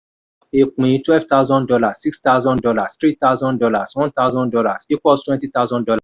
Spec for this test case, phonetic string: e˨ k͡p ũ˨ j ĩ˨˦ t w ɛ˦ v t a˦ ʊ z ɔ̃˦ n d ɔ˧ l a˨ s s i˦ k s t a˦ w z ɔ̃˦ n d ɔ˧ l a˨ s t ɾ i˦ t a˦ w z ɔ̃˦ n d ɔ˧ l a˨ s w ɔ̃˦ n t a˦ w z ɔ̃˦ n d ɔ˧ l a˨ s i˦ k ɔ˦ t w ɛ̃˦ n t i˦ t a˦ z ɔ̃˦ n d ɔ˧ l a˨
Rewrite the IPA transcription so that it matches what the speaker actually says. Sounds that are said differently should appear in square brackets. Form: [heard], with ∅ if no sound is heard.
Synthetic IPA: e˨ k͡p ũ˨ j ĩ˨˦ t w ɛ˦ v t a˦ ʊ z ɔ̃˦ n d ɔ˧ l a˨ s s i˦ k s t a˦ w z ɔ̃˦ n d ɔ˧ l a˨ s t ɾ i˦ t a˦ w z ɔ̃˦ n d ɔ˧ l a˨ s w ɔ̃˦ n t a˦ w z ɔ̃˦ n d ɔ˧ l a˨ s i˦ k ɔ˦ t w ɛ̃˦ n t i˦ t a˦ z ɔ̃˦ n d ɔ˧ l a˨